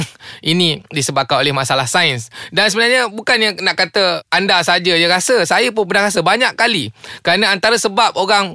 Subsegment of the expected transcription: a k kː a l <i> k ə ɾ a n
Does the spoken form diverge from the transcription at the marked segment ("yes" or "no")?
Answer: no